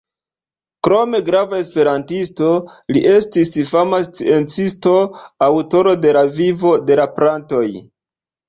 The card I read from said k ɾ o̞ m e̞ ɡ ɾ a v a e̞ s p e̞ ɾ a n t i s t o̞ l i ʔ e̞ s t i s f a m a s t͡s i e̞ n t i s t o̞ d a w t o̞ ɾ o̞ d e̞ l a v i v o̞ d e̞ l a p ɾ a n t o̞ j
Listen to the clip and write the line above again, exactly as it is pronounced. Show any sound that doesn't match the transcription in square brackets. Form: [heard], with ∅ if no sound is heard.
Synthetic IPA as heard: k ɾ o̞ m e̞ ɡ ɾ a v a e̞ s p e̞ ɾ a n t i s t o̞ l i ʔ e̞ s t i s f a m a s t͡s i e̞ n [t͡s] i s t o̞ [∅] a w t o̞ ɾ o̞ d e̞ l a v i v o̞ d e̞ l a p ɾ a n t o̞ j